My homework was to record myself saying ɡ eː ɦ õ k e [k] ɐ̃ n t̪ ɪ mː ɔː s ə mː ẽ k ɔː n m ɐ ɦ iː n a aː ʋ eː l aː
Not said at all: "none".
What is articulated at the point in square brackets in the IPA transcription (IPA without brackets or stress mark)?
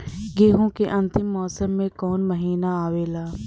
ʔ